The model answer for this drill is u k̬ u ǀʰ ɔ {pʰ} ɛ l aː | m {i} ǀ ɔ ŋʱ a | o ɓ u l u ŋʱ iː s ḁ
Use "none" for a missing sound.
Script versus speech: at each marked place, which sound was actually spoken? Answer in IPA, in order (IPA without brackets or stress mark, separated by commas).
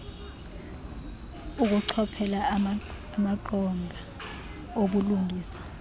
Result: pʰ, a